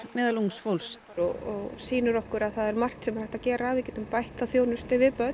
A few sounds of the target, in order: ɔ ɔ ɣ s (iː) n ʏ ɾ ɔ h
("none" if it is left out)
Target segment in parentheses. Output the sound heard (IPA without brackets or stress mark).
iː